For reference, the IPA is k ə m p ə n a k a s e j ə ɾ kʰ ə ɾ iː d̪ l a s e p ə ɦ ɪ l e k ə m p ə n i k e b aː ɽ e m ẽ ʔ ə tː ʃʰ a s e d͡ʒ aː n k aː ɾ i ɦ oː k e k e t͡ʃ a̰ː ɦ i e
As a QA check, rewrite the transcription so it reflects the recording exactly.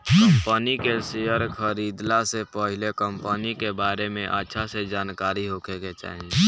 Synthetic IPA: k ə m p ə n i k e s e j ə ɾ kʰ ə ɾ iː d̪ l a s e p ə ɦ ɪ l e k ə m p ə n i k e b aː ɾ e m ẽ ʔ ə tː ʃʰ a s e d͡ʒ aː n k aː ɾ i ɦ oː k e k e t͡ʃ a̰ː ɦ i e